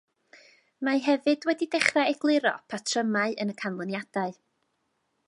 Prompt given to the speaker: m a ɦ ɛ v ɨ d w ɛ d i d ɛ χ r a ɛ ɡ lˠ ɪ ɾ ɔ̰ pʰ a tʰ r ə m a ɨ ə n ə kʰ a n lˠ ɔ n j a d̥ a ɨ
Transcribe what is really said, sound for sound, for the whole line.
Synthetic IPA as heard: m a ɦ ɛ v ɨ d w ɛ d i d ɛ χ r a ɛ ɡ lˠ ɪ ɾ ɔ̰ pʰ a tʰ r ə m a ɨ ə n ə kʰ a n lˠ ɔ n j a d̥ a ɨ